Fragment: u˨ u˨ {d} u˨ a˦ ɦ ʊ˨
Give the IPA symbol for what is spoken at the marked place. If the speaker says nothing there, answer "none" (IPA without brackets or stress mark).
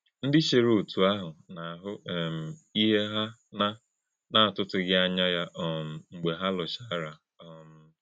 t